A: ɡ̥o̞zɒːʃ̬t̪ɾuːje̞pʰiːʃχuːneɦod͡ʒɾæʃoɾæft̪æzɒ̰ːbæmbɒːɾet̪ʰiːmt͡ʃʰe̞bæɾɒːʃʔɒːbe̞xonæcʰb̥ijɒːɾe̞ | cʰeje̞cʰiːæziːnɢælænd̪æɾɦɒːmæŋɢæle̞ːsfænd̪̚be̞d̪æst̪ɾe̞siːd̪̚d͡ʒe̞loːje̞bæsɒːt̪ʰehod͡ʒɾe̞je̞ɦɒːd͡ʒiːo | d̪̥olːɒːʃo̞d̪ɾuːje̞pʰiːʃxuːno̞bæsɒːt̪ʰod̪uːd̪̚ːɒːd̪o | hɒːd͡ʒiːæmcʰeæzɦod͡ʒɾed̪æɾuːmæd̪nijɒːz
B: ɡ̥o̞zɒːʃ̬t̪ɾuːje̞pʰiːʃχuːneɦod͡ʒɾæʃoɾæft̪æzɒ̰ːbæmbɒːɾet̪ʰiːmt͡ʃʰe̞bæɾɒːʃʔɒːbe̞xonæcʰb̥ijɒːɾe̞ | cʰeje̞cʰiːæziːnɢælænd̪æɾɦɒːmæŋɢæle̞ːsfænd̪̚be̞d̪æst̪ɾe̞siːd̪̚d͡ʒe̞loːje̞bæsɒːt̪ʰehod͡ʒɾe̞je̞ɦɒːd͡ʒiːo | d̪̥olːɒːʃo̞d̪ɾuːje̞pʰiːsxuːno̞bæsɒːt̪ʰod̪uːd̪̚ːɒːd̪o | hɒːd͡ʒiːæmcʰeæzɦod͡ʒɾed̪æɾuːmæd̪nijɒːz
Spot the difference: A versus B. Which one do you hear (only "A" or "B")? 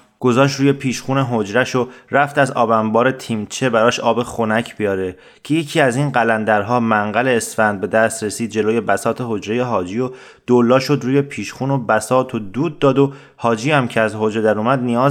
A